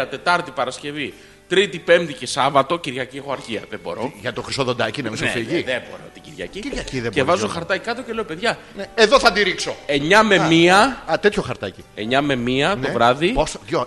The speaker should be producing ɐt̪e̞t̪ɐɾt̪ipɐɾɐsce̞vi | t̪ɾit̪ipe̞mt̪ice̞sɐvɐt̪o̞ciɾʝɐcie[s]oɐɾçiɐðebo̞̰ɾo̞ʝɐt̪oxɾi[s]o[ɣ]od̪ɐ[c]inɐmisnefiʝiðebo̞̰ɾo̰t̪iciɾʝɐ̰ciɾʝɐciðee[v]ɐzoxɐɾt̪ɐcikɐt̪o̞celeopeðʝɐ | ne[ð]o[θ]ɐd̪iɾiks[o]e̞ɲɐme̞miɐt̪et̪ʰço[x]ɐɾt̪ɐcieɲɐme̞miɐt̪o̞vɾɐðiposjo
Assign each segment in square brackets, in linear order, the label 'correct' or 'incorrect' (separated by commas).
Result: incorrect, correct, incorrect, correct, correct, correct, correct, correct, correct